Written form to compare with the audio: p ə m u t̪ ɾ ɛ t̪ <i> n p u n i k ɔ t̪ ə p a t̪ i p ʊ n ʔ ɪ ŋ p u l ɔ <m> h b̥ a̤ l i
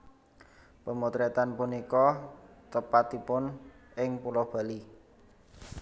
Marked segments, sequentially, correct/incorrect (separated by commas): incorrect, incorrect